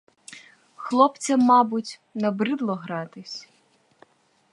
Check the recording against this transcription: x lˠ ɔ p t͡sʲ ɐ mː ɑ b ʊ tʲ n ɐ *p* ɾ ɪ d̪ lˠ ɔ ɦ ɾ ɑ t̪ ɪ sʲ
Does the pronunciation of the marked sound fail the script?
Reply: yes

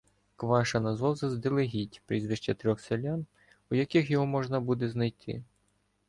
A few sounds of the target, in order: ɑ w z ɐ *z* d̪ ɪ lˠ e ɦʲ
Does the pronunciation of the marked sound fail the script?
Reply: no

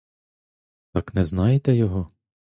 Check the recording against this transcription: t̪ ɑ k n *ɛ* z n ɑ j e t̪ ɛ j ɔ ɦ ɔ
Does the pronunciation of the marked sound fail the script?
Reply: no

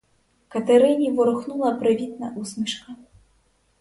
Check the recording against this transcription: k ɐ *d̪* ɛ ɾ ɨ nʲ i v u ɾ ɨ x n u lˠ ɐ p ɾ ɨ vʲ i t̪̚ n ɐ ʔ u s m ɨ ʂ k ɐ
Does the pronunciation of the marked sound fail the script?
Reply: yes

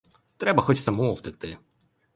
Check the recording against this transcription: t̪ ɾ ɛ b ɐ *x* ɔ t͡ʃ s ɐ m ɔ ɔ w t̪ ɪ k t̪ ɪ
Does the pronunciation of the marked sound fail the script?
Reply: no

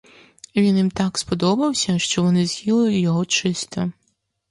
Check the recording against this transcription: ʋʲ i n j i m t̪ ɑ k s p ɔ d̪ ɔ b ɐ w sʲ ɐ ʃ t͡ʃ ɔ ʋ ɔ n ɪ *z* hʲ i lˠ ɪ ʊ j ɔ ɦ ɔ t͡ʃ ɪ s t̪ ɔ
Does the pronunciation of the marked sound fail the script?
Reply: no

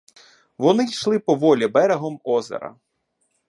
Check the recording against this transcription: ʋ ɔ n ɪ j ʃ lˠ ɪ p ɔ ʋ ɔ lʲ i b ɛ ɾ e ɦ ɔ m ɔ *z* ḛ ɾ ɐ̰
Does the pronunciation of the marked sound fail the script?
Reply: no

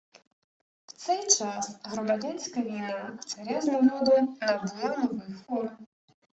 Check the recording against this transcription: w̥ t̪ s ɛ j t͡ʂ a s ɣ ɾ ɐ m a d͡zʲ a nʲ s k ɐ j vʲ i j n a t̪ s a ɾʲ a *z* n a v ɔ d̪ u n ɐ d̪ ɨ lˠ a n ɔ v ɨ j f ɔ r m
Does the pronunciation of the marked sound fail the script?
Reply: no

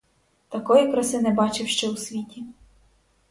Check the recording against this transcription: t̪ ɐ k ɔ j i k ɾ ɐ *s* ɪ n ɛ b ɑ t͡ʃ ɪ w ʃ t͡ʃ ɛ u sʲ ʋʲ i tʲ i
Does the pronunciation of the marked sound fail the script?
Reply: no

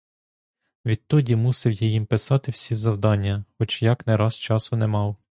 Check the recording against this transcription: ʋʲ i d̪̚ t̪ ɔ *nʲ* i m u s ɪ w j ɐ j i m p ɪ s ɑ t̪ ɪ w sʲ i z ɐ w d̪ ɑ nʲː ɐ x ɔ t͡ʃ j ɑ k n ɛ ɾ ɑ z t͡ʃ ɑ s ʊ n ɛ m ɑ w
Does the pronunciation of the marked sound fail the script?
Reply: yes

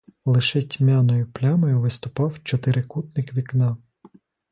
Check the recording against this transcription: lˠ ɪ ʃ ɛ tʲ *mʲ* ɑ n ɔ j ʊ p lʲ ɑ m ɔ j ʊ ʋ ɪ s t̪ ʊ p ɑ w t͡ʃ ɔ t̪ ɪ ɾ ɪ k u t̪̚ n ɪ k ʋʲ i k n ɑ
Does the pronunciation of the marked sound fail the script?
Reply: no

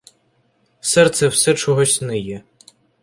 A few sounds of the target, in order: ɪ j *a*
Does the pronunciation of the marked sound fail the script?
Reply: yes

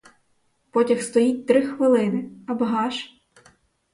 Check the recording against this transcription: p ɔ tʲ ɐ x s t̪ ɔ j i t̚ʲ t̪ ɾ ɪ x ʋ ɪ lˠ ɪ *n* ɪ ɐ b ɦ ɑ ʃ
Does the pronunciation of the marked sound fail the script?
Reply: no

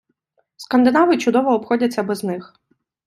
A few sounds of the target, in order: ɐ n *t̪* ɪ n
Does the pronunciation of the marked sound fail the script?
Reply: yes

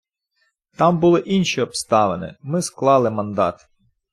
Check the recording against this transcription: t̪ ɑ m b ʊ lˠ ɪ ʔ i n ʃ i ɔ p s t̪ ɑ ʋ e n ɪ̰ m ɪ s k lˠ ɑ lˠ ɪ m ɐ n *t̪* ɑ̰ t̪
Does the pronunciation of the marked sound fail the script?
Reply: yes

